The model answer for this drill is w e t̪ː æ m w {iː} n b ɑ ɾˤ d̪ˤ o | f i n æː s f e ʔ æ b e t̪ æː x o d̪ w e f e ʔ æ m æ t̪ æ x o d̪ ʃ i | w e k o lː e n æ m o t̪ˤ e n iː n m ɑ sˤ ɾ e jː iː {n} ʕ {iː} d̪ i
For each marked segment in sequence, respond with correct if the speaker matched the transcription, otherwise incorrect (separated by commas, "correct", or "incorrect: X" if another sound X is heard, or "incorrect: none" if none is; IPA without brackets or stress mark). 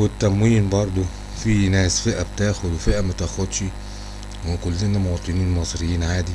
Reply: correct, correct, incorrect: aː